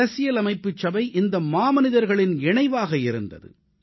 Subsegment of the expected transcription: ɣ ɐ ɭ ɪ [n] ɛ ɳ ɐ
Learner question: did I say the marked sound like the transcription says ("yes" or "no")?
yes